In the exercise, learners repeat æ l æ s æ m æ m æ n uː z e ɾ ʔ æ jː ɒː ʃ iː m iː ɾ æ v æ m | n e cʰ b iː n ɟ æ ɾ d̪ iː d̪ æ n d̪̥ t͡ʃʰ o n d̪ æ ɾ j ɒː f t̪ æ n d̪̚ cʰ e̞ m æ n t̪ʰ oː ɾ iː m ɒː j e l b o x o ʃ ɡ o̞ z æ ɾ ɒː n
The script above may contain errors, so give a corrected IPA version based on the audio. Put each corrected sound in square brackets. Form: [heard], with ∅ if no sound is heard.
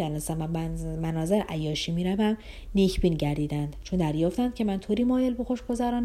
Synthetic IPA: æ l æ s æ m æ m æ n [ɒː] z e ɾ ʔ æ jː ɒː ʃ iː m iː ɾ æ v æ m | n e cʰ b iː n ɟ æ ɾ d̪ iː d̪ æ n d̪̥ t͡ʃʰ o n d̪ æ ɾ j ɒː f t̪ æ n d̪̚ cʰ e̞ m æ n t̪ʰ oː ɾ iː m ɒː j e l b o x o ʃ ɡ o̞ z æ ɾ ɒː n